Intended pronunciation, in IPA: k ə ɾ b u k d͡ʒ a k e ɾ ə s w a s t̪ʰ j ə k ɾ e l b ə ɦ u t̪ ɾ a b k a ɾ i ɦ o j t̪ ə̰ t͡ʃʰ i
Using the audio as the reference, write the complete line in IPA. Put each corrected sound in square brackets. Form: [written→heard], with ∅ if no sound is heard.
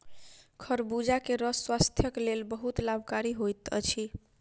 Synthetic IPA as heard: [k→kʰ] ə ɾ b u [k→∅] d͡ʒ a k e ɾ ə s w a s t̪ʰ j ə k [ɾ→l] e l b ə ɦ u t̪ [ɾ→l] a b k a ɾ i ɦ o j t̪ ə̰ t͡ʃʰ i